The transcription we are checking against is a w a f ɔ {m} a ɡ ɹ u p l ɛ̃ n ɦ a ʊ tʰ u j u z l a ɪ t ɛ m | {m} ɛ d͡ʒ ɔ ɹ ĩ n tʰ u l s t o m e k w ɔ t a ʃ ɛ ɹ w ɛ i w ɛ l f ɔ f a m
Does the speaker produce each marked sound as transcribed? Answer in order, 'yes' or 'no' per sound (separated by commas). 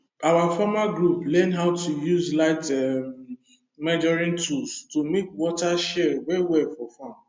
yes, yes